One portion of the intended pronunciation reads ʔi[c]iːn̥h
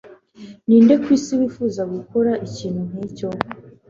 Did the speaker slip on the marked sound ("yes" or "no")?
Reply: no